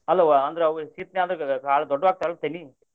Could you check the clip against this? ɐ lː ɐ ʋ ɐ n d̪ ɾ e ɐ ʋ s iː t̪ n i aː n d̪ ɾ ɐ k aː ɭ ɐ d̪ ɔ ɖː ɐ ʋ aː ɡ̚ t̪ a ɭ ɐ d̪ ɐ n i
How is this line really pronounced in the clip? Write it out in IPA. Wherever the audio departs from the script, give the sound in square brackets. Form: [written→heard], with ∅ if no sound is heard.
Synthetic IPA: ɐ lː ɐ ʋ ɐ n d̪ ɾ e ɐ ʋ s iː t̪ n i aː n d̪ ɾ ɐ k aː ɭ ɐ d̪ ɔ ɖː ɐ ʋ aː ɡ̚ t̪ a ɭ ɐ [d̪→t̪] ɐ n i